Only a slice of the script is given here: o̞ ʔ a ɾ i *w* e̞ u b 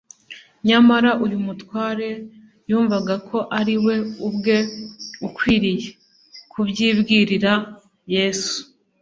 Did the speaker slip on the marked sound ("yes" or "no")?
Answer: no